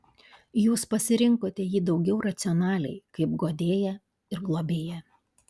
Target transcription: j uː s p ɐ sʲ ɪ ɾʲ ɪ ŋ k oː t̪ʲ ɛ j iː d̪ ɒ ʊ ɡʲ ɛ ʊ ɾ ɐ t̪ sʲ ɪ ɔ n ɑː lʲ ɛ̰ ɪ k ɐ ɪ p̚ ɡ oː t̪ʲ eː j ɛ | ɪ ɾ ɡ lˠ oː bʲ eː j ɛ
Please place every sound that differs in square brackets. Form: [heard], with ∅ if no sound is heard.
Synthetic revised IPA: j uː s p ɐ sʲ ɪ ɾʲ ɪ ŋ k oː t̪ʲ ɛ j iː d̪ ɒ ʊ ɡʲ ɛ ʊ ɾ ɐ t̪ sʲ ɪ ɔ n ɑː lʲ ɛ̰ ɪ k ɐ ɪ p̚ ɡ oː [d̪ʲ] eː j ɛ | ɪ ɾ ɡ lˠ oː bʲ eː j ɛ

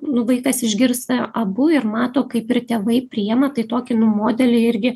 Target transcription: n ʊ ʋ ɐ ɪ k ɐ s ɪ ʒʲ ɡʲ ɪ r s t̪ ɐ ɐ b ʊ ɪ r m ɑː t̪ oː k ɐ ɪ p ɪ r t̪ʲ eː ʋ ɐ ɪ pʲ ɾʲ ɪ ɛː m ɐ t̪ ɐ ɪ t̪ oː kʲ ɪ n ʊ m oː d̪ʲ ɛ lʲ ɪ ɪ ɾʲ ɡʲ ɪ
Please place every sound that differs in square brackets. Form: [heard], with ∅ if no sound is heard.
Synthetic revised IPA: n ʊ ʋ ɐ ɪ k ɐ s ɪ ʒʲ ɡʲ ɪ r s t̪ ɐ ɐ b ʊ ɪ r m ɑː t̪ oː k ɐ ɪ p ɪ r t̪ʲ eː ʋ ɐ ɪ pʲ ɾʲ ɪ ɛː m ɐ t̪ ɐ ɪ t̪ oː kʲ ɪ n ʊ m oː d̪ʲ ɛ lʲ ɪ ɪ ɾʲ ɡʲ ɪ

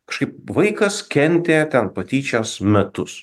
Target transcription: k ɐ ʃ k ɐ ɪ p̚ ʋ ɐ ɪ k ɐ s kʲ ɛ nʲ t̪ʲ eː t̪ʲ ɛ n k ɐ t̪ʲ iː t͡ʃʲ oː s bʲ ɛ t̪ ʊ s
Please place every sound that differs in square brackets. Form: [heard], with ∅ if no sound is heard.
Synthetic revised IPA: k ɐ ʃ k ɐ ɪ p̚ ʋ ɐ ɪ k ɐ s kʲ ɛ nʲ t̪ʲ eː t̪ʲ ɛ n [p] ɐ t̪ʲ iː t͡ʃʲ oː s [mʲ] ɛ t̪ ʊ s

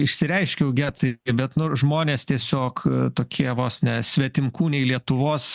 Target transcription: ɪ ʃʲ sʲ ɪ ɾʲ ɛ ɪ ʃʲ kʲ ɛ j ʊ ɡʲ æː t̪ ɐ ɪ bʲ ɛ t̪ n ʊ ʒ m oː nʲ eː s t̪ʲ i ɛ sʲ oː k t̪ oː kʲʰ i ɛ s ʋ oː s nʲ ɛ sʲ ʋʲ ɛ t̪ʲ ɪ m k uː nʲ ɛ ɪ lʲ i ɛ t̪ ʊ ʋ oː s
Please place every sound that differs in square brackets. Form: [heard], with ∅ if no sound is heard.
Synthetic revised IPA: ɪ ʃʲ sʲ ɪ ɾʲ ɛ ɪ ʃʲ kʲ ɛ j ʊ ɡʲ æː t̪ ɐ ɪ bʲ ɛ t̪ n ʊ ʒ m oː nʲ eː s t̪ʲ i ɛ sʲ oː k t̪ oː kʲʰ i ɛ [∅] ʋ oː s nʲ ɛ sʲ ʋʲ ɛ t̪ʲ ɪ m k uː nʲ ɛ ɪ lʲ i ɛ t̪ ʊ ʋ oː s

